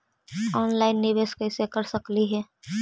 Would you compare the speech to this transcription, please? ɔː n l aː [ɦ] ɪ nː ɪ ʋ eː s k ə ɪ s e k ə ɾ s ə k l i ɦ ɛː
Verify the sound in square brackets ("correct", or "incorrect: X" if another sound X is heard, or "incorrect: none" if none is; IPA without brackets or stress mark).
incorrect: none